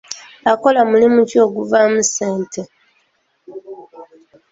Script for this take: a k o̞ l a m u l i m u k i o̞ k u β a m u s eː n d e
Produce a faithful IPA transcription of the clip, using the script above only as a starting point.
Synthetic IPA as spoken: a k o̞ l a m u l i m u c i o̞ ɡ u v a m u s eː n t e